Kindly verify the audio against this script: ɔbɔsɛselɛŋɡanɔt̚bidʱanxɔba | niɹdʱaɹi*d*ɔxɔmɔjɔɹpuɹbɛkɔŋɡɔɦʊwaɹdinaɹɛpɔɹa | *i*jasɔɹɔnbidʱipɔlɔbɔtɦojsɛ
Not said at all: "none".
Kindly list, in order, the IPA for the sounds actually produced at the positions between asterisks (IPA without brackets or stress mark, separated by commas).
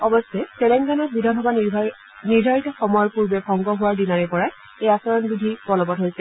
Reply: t, e